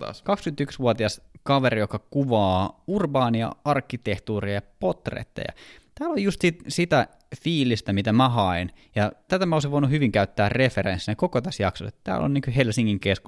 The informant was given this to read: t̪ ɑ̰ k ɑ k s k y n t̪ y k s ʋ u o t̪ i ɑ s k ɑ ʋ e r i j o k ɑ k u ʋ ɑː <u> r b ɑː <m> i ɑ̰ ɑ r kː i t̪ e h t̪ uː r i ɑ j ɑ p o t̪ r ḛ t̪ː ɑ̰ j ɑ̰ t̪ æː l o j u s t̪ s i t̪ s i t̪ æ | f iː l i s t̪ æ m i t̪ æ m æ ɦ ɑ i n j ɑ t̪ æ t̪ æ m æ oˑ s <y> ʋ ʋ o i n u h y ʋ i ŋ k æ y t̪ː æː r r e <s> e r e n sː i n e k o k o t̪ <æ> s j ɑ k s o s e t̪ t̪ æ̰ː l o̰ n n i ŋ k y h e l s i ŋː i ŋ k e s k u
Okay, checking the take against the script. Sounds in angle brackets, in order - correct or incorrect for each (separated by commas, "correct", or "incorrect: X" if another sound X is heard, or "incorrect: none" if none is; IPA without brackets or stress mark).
correct, incorrect: n, incorrect: i, incorrect: f, correct